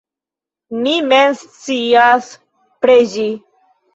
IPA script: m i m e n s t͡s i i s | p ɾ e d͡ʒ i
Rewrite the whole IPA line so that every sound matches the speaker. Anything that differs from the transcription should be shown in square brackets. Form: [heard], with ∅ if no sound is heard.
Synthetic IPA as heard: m i m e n s t͡s i [a] s | p ɾ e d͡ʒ i